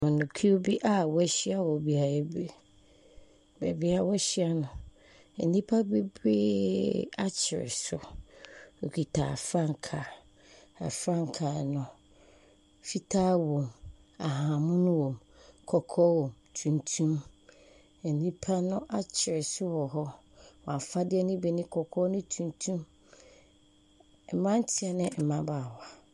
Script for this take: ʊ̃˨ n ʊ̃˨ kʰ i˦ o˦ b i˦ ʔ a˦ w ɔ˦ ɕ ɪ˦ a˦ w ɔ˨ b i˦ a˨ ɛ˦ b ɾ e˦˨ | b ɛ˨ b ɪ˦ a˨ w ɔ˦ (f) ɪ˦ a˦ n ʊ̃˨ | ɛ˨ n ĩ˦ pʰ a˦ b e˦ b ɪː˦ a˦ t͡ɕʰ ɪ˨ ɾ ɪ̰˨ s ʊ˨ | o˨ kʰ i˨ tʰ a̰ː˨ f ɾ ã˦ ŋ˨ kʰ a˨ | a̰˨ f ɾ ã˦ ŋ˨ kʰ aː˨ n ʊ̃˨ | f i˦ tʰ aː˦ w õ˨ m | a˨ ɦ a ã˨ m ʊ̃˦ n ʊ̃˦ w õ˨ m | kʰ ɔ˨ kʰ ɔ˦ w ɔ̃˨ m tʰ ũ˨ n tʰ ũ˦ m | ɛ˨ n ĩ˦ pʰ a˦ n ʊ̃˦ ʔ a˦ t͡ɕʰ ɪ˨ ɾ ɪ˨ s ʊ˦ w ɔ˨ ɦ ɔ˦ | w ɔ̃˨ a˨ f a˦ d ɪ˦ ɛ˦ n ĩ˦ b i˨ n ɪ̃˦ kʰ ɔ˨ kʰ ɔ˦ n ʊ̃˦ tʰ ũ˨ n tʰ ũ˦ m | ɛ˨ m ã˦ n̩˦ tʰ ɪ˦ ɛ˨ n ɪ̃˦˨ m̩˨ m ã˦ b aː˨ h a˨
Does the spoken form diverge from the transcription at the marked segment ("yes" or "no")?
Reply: yes